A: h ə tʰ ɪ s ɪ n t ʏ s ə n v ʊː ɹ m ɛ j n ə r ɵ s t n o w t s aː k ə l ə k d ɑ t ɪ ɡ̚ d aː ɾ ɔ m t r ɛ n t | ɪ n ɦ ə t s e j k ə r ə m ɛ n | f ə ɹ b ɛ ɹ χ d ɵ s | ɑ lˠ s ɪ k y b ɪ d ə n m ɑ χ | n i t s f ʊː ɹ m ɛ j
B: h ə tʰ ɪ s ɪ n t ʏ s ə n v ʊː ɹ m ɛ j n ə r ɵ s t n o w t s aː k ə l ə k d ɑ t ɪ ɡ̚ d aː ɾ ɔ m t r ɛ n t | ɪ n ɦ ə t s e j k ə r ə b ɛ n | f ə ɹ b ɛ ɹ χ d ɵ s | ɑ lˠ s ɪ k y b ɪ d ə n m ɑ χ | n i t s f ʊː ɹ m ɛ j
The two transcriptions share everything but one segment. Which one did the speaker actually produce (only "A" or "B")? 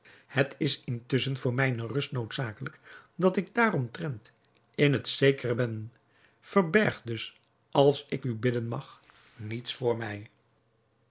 B